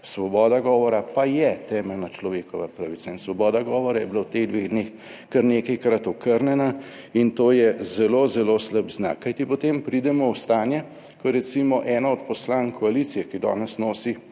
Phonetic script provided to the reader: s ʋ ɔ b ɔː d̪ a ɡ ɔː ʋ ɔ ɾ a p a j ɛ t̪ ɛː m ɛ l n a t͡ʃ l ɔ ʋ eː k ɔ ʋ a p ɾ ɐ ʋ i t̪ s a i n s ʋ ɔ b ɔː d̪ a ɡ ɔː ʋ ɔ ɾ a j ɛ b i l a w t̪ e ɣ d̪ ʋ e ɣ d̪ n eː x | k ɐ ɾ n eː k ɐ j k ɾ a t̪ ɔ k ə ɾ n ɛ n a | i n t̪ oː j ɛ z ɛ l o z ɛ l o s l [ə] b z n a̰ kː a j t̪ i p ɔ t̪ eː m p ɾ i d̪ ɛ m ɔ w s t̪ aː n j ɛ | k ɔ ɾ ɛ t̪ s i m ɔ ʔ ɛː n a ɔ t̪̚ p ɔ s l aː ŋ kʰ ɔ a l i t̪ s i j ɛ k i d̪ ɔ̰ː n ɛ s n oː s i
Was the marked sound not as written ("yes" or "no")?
no